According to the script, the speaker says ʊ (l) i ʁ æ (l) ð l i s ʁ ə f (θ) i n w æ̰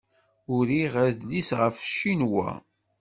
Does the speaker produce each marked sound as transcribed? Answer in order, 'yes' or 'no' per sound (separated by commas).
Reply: no, no, no